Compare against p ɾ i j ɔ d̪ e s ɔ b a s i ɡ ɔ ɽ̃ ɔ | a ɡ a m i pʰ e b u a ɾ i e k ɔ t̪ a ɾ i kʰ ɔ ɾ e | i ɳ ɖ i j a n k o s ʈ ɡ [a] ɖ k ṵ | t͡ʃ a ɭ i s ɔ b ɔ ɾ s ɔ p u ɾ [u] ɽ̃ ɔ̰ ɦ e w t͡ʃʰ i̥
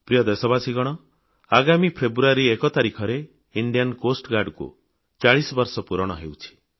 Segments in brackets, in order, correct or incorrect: correct, incorrect

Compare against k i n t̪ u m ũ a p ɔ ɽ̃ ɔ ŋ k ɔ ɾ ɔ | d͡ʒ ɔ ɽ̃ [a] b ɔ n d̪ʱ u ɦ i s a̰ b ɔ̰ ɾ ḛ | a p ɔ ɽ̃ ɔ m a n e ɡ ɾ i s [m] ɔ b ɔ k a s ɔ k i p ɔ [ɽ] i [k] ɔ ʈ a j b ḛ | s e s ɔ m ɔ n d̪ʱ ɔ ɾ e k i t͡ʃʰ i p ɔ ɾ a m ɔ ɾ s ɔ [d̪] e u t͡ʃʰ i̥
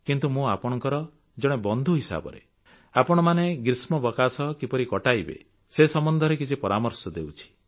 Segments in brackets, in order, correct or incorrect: incorrect, correct, incorrect, correct, correct

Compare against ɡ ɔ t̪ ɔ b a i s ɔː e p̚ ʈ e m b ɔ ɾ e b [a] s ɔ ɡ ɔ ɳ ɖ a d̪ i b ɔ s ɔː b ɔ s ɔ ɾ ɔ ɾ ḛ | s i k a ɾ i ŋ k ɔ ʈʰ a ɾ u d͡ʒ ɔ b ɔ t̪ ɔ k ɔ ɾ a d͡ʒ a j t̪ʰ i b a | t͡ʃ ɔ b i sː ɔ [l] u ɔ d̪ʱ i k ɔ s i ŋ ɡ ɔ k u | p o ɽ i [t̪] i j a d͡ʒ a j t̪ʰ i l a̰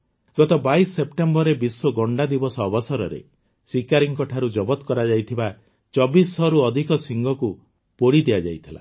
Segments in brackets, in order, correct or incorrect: incorrect, incorrect, incorrect

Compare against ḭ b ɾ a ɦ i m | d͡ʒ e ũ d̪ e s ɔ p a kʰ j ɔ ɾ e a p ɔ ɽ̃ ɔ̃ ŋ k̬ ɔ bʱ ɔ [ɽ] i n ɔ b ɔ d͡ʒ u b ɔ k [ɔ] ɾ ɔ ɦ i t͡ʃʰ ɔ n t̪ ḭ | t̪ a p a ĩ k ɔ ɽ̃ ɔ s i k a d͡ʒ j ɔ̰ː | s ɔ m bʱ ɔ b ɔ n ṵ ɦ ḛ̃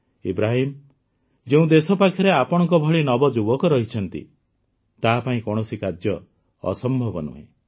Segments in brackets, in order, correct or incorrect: incorrect, correct

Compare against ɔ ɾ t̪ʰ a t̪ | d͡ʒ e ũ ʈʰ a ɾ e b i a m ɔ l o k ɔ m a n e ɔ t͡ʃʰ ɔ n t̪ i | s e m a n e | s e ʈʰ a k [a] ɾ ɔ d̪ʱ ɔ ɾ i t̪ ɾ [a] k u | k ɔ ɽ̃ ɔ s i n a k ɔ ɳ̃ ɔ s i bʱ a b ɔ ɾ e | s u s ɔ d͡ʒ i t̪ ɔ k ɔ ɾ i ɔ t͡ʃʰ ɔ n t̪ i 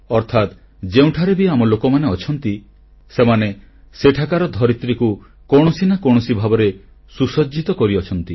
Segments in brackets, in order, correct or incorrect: correct, incorrect

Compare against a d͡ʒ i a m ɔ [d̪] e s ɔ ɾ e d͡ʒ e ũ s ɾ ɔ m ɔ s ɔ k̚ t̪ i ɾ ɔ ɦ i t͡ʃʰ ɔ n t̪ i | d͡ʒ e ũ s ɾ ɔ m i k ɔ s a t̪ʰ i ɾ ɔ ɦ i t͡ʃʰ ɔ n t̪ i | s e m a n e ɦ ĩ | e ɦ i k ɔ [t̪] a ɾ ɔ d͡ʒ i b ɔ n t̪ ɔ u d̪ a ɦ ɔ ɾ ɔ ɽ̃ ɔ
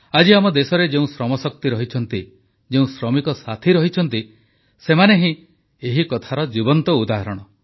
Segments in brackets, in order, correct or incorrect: correct, incorrect

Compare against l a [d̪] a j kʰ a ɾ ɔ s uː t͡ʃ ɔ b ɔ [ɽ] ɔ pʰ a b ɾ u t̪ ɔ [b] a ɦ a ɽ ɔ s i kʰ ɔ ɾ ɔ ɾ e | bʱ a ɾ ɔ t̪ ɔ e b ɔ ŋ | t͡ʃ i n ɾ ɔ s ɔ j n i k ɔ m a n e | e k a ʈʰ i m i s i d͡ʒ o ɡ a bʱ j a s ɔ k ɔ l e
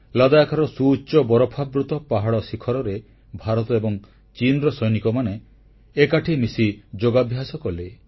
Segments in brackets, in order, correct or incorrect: correct, incorrect, incorrect

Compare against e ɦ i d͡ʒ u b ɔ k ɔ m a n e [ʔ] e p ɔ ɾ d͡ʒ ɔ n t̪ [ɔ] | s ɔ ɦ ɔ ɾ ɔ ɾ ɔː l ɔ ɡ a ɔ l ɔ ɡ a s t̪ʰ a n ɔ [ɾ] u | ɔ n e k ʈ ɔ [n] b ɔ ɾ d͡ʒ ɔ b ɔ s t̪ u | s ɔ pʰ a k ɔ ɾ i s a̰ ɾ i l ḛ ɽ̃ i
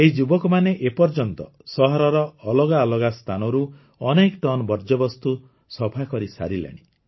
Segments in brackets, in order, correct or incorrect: correct, correct, correct, correct

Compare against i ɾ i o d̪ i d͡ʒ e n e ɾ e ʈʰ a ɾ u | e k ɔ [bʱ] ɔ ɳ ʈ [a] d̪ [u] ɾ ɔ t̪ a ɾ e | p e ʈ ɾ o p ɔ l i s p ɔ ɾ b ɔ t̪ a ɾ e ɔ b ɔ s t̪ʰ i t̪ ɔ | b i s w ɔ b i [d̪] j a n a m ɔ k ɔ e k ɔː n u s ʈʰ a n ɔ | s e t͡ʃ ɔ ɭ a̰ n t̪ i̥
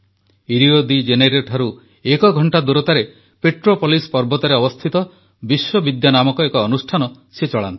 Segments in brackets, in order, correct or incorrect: incorrect, correct, correct, correct

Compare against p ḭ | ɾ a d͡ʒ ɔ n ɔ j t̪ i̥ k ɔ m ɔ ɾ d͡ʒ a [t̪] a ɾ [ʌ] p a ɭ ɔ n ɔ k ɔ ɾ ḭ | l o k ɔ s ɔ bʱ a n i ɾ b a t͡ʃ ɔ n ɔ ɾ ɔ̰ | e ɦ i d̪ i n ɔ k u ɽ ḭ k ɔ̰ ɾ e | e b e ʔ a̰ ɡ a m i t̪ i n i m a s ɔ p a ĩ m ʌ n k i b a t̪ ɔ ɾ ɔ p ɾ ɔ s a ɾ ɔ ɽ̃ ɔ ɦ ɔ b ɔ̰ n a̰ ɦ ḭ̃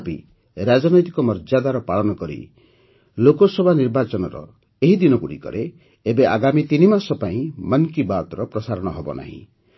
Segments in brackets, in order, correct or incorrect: incorrect, incorrect

